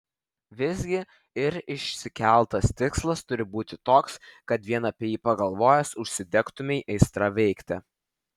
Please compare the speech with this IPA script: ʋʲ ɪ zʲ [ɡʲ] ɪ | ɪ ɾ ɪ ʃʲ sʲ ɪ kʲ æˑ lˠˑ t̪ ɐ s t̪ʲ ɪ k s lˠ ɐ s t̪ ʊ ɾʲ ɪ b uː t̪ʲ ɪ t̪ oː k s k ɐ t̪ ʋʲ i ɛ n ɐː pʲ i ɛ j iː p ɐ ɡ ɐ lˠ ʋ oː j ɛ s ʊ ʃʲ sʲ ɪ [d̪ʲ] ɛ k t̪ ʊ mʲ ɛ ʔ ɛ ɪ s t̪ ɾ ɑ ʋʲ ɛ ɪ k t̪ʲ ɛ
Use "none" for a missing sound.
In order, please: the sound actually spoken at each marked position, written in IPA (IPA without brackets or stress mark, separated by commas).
ɡʲ, d̪ʲ